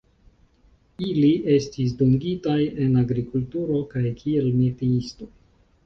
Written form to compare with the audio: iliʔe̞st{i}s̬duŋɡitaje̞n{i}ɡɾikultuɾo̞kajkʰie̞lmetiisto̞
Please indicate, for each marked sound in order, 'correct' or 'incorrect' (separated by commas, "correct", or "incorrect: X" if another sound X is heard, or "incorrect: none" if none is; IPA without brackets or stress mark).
correct, incorrect: a